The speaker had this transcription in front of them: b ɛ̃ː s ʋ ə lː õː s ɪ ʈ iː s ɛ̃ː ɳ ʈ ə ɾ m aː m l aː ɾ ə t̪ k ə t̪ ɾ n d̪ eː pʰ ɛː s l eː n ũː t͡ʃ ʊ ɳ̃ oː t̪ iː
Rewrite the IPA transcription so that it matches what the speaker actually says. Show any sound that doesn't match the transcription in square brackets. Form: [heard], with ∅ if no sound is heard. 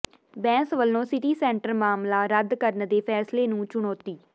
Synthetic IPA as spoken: b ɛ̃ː s ʋ ə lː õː s ɪ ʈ iː s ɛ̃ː ɳ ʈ ə ɾ m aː m l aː ɾ ə [d̪] k ə [∅] ɾ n d̪ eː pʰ ɛː s l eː n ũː t͡ʃ ʊ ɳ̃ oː t̪ iː